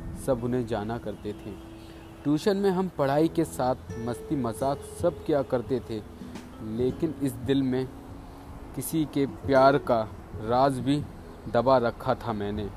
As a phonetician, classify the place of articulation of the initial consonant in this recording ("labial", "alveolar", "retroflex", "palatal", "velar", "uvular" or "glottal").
alveolar